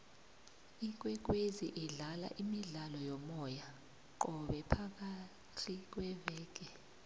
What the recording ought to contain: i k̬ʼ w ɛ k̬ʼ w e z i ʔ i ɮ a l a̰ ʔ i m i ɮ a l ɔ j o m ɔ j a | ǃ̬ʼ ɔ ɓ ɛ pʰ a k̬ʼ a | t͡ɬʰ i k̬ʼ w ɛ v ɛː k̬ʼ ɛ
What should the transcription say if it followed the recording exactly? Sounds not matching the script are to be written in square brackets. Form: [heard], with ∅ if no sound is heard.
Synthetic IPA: i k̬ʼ w ɛ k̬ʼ w e z i ʔ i ɮ a l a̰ ʔ i m i ɮ a l ɔ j [ɔ] m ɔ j a | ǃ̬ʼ ɔ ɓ ɛ pʰ a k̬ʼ a | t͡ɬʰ i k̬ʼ w ɛ v ɛː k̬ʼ ɛ